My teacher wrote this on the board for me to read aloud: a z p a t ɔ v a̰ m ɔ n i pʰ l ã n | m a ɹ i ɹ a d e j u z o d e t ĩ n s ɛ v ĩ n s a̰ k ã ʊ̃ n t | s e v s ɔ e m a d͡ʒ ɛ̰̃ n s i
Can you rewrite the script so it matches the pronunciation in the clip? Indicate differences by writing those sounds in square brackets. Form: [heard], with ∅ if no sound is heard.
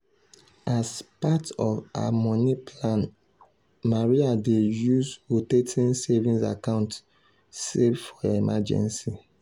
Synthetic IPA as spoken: a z p a t ɔ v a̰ m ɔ n i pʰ l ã n | m a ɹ i [∅] a d e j u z o [t] e t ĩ n s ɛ v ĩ n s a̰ k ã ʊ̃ n t | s e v [f] ɔ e m a d͡ʒ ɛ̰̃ n s i